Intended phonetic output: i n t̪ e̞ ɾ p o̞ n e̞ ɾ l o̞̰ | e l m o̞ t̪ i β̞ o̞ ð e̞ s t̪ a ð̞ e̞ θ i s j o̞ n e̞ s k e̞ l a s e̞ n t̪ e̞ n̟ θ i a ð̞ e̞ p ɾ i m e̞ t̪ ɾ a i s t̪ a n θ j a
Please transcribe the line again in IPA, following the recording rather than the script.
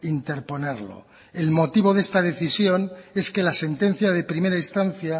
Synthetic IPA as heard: i n t̪ e̞ ɾ p o̞ n e̞ ɾ l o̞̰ | e l m o̞ t̪ i β̞ o̞ ð e̞ s t̪ a ð̞ e̞ θ i s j o̞ n e̞ s k e̞ l a s e̞ n t̪ e̞ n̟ θ j a ð̞ e̞ p ɾ i m e̞ ɾ a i s t̪ a n θ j a